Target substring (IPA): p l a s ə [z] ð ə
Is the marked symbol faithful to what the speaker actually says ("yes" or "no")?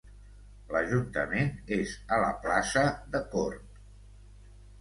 no